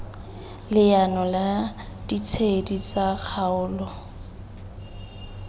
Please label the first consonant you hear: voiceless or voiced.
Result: voiced